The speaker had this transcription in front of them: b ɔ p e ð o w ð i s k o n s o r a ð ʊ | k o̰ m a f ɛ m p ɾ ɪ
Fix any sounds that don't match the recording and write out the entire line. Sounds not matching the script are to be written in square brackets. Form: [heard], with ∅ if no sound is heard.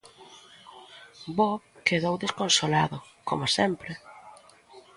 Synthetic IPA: b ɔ [k] e ð o w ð [e] s k o n s o [l] a ð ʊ | k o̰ m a [s] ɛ m p ɾ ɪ

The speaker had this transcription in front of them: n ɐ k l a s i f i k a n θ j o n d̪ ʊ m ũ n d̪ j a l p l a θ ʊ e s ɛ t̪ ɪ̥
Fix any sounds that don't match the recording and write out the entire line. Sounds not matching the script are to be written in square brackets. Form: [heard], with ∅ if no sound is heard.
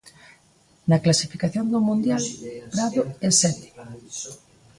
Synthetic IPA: n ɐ k l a s i f i k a [∅] θ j o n d̪ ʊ m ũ n d̪ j a l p [ɾ] a [ð] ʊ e s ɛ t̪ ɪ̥

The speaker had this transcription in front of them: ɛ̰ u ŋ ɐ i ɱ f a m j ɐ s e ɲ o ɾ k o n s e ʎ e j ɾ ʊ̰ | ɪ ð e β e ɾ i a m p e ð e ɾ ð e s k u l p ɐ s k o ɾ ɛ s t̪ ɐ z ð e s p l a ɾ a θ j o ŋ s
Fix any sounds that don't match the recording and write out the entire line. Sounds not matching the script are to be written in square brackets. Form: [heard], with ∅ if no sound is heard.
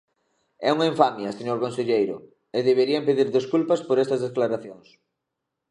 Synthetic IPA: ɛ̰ u ŋ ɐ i ɱ f a m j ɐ s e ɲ o ɾ k o n s e ʎ e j ɾ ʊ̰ | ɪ ð e β e ɾ i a m p e ð [i] ɾ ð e s k u l p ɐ s [p] o ɾ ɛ s t̪ ɐ z ð e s [k] l a ɾ a θ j o ŋ s

